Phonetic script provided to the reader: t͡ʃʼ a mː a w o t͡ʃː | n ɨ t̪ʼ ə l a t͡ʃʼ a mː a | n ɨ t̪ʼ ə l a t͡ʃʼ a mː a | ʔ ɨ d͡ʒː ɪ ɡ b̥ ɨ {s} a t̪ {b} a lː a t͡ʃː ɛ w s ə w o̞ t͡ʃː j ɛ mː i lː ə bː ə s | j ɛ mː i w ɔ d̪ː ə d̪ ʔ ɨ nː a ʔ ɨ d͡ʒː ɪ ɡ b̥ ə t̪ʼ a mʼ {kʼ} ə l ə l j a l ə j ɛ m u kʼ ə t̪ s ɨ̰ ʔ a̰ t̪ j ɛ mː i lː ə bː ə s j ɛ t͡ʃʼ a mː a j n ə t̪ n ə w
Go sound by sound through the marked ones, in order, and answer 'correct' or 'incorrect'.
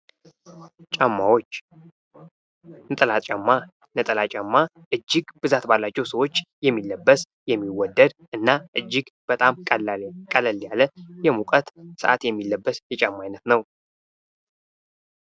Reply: incorrect: z, correct, correct

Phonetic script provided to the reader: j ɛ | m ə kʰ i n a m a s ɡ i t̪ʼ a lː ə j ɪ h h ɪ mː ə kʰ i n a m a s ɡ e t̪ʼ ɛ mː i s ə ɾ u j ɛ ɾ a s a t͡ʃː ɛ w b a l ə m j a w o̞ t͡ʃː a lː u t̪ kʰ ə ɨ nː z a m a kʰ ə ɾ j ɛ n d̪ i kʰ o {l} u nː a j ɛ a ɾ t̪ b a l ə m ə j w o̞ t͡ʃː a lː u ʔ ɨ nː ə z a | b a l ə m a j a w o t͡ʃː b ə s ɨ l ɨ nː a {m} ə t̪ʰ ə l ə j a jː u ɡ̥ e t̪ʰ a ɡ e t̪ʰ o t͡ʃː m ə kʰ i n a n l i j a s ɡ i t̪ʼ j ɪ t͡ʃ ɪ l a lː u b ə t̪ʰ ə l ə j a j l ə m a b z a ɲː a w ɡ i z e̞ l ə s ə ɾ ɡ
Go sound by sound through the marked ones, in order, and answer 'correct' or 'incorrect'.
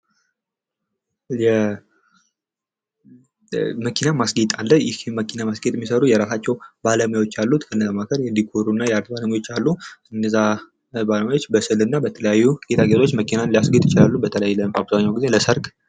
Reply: incorrect: ɾ, incorrect: b

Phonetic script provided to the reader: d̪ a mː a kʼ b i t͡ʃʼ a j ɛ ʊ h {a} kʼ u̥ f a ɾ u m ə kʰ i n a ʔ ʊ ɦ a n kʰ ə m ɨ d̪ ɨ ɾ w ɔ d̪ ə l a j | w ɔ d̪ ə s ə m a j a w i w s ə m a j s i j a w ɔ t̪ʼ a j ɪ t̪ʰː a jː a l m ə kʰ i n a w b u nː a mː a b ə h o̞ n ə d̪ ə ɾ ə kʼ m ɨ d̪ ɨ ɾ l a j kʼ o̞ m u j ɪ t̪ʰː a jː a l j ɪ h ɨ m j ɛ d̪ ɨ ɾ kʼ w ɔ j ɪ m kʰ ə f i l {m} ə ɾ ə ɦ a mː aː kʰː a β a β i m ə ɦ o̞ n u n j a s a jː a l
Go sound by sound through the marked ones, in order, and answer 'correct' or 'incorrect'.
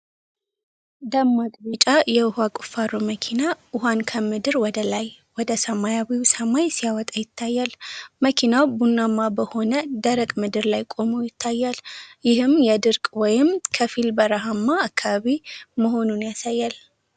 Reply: correct, incorrect: b

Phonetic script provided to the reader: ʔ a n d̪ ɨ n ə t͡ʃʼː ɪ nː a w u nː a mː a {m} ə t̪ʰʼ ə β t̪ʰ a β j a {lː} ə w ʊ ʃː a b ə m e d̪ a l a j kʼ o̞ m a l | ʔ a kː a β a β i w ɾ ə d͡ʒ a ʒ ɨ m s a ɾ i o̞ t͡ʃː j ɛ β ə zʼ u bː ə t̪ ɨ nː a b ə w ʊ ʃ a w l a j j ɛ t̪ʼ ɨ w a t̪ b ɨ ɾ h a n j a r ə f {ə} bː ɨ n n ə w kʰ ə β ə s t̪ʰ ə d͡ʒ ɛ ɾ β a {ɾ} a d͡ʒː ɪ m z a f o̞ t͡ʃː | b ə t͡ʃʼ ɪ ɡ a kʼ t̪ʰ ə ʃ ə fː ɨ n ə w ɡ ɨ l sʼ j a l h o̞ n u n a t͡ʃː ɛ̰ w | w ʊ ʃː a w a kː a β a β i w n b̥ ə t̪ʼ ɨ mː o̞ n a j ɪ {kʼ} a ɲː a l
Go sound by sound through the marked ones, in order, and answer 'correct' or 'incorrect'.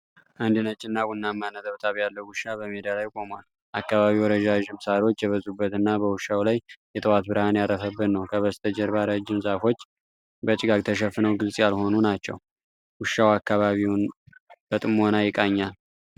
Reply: incorrect: n, correct, correct, correct, correct

